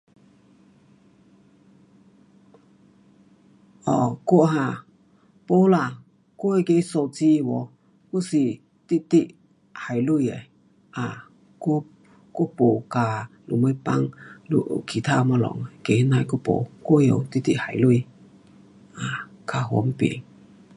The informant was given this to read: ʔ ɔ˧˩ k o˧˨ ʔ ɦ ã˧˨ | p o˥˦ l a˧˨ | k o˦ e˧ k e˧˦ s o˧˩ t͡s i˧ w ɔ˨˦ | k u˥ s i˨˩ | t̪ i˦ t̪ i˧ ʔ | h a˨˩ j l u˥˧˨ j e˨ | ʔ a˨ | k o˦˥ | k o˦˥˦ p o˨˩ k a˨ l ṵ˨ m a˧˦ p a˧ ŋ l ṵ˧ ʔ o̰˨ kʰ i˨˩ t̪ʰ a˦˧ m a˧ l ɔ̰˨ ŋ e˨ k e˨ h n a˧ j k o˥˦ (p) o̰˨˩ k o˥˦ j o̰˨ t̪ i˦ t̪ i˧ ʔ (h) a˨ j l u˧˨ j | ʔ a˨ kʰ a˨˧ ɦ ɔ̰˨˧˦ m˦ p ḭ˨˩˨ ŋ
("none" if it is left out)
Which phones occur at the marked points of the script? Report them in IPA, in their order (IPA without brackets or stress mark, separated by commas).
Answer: p, h